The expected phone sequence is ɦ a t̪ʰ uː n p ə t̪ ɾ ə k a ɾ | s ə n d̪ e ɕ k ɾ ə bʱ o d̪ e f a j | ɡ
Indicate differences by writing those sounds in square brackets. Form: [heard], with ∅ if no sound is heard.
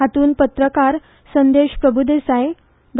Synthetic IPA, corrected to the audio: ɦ a [t̪] uː n p ə t̪ ɾ ə k a ɾ | s ə n d̪ e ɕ [p] ɾ ə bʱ [u] d̪ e [s] a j | ɡ